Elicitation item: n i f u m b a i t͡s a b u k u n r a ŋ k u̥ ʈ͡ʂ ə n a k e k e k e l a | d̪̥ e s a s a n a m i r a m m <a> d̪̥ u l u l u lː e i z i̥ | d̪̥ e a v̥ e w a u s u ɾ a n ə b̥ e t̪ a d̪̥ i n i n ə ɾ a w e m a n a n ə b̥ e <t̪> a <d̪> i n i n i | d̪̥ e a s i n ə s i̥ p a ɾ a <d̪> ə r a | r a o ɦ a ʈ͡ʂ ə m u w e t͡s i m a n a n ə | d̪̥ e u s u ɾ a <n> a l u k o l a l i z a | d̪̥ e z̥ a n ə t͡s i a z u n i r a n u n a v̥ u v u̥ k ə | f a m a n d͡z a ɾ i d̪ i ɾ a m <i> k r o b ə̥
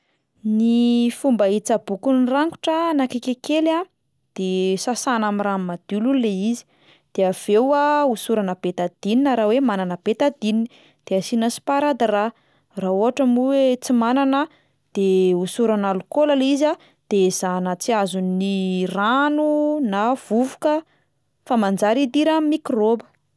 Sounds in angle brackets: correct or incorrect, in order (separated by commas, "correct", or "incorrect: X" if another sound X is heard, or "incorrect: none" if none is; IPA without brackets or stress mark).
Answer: correct, correct, correct, correct, correct, correct